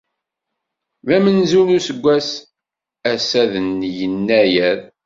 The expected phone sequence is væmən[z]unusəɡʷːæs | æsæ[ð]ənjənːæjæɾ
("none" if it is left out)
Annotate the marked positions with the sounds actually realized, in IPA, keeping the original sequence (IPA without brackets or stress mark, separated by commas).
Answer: z, ð